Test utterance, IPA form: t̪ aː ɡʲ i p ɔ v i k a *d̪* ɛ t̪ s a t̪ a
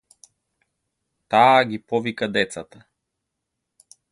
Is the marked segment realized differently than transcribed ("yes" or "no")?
no